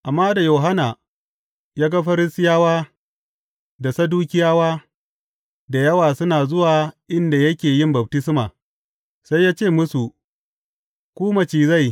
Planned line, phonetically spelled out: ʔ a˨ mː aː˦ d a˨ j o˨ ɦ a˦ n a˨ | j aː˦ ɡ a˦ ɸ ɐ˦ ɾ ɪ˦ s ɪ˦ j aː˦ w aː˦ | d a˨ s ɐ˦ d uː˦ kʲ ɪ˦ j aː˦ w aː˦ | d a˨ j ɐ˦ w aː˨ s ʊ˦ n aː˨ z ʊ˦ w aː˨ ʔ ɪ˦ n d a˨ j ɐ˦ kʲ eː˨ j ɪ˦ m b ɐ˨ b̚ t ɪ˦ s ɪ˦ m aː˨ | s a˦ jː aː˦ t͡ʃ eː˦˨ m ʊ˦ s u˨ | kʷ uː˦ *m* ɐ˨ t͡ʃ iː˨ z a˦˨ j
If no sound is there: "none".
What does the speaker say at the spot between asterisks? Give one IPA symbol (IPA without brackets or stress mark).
m